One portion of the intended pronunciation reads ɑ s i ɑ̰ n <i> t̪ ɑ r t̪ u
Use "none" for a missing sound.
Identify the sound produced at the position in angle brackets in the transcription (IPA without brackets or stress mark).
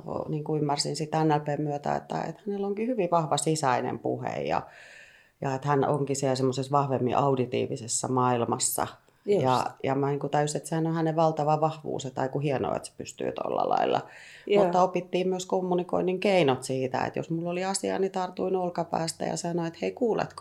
i